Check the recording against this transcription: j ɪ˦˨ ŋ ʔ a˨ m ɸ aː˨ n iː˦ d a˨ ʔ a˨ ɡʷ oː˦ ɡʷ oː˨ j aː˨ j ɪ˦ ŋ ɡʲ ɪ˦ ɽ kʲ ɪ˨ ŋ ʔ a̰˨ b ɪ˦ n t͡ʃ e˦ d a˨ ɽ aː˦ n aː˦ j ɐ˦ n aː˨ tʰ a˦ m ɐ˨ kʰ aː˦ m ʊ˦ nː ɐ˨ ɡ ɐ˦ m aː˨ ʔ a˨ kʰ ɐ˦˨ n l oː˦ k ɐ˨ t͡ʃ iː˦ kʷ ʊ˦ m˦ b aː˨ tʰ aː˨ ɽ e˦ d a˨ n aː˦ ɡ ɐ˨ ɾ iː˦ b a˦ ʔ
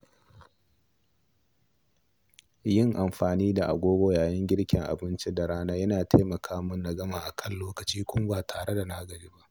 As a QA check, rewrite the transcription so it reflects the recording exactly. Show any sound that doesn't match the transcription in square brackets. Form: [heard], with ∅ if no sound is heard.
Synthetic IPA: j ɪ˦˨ ŋ ʔ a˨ m ɸ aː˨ n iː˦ d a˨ ʔ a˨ ɡʷ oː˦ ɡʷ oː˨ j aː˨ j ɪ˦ ŋ ɡʲ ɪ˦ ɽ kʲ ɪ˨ ŋ ʔ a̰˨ b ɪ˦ n t͡ʃ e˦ d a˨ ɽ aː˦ n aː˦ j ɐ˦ n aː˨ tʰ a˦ m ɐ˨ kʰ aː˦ m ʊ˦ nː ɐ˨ ɡ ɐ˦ m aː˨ ʔ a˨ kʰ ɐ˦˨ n l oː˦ k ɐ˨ t͡ʃ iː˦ kʷ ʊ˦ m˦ b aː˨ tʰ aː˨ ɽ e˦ d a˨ n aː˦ ɡ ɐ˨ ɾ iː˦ b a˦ ʔ